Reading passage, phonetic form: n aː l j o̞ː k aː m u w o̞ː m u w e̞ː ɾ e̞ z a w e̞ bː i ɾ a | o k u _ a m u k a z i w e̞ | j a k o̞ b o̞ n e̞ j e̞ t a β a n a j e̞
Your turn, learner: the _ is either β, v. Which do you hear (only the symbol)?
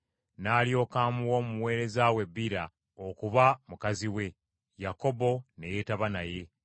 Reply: β